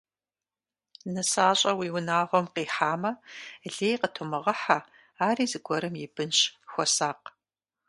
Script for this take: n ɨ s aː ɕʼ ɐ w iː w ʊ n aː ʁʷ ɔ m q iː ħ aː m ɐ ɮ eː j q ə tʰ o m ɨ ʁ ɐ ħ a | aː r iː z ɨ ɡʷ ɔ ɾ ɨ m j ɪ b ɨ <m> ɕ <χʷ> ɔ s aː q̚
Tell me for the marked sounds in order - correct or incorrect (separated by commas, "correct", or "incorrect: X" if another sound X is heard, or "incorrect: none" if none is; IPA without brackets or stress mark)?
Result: incorrect: n, incorrect: xʷ